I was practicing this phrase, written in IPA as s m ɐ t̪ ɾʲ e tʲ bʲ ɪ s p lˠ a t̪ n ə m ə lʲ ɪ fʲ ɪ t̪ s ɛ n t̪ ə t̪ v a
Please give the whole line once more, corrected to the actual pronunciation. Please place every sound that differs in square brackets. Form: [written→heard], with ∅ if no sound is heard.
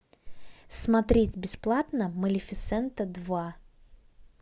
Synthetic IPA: s m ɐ t̪ ɾʲ e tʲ bʲ ɪ s p lˠ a t̪ n ə m ə lʲ ɪ fʲ ɪ t̪ s ɛ n t̪ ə [t̪→d̪] v a